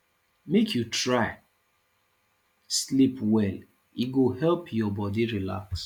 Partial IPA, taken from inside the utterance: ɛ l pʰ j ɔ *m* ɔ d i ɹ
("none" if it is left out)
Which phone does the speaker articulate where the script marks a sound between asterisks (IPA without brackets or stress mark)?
b